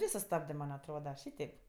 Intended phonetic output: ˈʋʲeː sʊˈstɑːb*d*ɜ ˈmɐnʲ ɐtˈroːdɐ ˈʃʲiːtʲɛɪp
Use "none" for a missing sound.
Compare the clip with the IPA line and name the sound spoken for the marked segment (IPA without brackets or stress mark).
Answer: d